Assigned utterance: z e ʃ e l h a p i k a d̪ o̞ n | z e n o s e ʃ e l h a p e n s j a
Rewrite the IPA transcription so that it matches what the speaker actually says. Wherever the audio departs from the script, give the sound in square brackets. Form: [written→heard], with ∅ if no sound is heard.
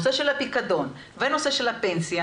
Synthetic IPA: [z→s] e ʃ e l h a p i k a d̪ o̞ n | [z→v] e n o s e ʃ e l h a p e n s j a